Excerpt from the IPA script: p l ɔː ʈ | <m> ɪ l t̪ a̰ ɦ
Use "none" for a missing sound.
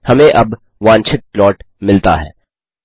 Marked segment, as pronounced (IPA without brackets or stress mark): m